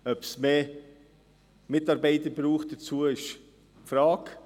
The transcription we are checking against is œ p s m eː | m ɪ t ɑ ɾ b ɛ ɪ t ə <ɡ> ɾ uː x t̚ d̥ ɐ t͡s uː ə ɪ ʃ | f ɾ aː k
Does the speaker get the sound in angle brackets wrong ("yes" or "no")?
yes